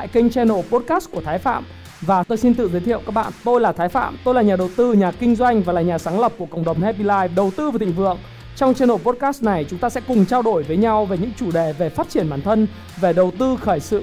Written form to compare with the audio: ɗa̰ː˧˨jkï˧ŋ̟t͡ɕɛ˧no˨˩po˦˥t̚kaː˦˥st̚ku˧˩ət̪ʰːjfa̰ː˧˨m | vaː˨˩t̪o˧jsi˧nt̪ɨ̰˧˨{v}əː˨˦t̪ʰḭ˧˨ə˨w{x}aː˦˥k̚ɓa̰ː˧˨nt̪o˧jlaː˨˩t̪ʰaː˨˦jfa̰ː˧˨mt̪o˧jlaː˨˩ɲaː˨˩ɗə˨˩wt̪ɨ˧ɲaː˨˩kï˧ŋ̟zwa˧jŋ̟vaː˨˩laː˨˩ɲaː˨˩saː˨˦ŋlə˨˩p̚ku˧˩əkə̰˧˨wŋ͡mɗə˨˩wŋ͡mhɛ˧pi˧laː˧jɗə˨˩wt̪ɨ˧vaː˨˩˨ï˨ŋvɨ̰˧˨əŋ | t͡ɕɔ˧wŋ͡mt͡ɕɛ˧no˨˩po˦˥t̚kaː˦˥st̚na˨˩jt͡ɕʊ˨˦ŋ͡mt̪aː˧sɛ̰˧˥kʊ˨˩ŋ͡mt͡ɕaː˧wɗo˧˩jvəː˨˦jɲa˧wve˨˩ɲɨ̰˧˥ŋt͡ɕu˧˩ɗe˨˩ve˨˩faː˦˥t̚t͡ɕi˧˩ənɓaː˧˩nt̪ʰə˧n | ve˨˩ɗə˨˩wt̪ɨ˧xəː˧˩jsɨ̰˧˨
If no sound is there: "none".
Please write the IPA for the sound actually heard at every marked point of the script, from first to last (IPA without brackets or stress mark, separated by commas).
z, k